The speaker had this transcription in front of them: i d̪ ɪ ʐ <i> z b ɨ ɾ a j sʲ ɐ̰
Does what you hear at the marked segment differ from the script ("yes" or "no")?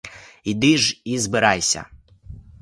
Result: no